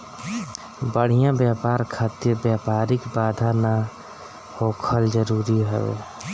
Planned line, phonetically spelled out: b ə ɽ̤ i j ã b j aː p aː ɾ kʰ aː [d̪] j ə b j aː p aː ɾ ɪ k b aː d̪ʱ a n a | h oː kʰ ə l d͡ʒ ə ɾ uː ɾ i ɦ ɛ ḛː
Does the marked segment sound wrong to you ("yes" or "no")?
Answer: yes